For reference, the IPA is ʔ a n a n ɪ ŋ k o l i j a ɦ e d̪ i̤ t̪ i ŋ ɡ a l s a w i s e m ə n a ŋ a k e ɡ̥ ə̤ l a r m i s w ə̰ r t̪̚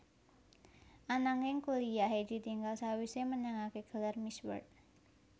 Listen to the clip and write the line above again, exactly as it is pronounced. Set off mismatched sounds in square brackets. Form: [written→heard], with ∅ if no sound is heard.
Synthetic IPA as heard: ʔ a n a [n→ŋ] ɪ ŋ k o l i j a ɦ e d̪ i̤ t̪ i ŋ ɡ a l s a w i s e m ə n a ŋ a k e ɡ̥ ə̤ l a r m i s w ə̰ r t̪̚